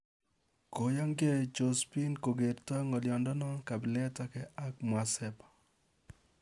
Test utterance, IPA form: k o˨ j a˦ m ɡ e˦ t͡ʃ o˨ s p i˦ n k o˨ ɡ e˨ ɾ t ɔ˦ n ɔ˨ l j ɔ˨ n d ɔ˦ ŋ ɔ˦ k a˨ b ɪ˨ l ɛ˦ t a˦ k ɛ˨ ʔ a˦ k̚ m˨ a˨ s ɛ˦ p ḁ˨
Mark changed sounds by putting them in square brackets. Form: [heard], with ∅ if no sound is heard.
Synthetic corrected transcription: k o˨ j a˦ [ŋ] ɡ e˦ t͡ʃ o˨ s p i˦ n k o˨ ɡ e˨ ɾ t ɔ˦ [ŋ] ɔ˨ l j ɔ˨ n d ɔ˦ [n] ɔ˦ k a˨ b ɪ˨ l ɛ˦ t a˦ k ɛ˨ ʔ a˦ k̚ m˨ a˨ s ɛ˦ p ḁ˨